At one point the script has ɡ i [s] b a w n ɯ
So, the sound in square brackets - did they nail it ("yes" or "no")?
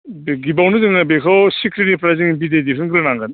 no